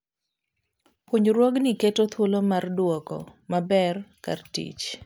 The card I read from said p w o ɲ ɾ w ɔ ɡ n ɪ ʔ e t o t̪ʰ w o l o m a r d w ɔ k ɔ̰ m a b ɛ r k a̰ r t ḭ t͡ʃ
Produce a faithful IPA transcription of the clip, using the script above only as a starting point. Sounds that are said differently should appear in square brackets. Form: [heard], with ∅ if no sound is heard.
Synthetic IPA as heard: p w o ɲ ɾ w ɔ ɡ n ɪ [k] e t o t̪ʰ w o l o m a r d w ɔ k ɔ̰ m a b ɛ r k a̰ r t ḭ t͡ʃ